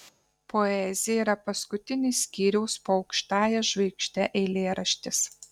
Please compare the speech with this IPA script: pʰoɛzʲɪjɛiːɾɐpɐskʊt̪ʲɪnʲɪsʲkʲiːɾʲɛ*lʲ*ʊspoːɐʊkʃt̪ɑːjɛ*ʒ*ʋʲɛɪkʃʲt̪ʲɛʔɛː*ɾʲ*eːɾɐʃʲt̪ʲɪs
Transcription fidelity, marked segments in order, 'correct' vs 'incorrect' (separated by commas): incorrect, correct, incorrect